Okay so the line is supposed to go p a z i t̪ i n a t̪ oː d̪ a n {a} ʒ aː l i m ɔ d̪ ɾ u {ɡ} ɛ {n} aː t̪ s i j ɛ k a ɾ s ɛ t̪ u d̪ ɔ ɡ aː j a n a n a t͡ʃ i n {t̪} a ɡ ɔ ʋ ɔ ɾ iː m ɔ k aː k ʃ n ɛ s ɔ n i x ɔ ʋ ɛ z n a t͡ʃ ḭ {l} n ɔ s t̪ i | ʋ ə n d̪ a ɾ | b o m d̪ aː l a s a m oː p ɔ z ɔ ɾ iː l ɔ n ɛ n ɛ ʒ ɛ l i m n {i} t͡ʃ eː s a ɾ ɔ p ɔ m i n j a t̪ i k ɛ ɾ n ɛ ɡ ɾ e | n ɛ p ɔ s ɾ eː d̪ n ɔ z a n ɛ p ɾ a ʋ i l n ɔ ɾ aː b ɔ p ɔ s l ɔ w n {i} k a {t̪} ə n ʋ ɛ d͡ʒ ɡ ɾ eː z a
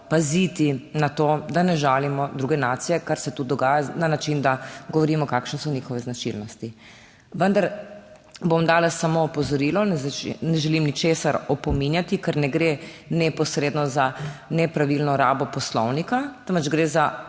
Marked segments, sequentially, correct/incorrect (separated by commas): incorrect, correct, correct, incorrect, correct, correct, correct, correct